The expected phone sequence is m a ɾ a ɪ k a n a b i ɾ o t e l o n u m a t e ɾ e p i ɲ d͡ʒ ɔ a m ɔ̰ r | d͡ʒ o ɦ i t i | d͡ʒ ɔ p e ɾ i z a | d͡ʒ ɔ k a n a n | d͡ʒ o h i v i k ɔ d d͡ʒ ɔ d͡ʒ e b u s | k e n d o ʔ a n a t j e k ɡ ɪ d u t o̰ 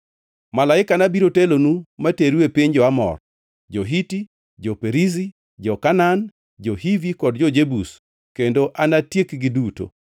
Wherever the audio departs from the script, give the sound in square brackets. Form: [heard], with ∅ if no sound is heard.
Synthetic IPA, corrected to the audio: m a [l] a ɪ k a n a b i ɾ o t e l o n u m a t e ɾ e p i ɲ d͡ʒ ɔ a m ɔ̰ r | d͡ʒ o ɦ i t i | d͡ʒ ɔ p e ɾ i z [i] | d͡ʒ ɔ k a n a n | d͡ʒ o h i v i k ɔ d d͡ʒ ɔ d͡ʒ e b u s | k e n d o ʔ a n a t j e k ɡ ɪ d u t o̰